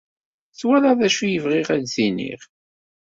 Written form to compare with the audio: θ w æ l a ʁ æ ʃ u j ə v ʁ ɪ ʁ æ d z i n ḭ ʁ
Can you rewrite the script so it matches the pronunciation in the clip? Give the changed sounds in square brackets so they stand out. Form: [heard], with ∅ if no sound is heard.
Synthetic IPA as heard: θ w æ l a [ð] æ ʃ u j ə v ʁ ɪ ʁ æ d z i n ḭ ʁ

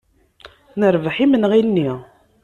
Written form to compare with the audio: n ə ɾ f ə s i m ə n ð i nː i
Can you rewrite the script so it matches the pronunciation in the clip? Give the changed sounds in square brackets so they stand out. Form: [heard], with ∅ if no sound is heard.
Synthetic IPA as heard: n ə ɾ [v] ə [ħ] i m ə n [ʁ] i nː i

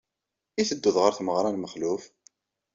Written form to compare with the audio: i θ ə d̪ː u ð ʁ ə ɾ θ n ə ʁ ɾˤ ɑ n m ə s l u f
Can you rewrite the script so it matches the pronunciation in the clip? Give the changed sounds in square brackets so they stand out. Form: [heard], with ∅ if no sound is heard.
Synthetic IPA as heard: i θ ə d̪ː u ð ʁ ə ɾ θ [m] ə ʁ ɾˤ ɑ n m ə [χ] l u f

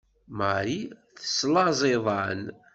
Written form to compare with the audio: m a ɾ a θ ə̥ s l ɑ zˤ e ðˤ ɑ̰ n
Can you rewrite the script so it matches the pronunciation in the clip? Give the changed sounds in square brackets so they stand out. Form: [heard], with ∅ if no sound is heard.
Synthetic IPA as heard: m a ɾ [i] θ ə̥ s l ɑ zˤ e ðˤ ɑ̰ n

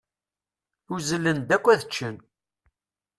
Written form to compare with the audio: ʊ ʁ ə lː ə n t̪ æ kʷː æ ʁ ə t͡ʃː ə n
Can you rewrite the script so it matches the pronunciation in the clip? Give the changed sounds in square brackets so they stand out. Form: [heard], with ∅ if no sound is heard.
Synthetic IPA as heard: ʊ [z] ə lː ə n [d̪] æ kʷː æ [ð] ə t͡ʃː ə n

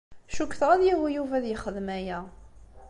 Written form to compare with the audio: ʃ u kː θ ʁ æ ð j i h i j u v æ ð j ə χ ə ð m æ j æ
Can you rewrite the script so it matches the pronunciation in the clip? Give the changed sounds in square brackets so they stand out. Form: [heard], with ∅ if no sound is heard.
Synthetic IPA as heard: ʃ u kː θ ʁ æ ð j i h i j u v æ ð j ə χ ə ð m æ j æ

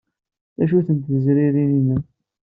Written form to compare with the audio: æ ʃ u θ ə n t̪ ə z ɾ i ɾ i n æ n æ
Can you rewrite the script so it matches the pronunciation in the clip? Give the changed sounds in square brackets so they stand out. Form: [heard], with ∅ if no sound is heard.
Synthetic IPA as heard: æ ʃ u θ ə n t̪ ə z ɾ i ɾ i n [i] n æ

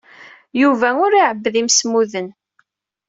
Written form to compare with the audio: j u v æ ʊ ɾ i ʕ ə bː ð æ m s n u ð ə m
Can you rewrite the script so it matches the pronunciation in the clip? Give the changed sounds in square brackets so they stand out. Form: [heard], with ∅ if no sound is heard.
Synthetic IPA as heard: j u v æ ʊ ɾ i ʕ ə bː ð [i] m s [m] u ð ə [n]

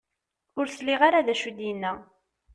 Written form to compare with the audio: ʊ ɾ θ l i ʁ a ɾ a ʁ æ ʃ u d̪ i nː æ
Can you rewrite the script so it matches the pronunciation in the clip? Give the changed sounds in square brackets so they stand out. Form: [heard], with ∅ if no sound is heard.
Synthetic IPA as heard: ʊ ɾ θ l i ʁ a ɾ a [ð] æ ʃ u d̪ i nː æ

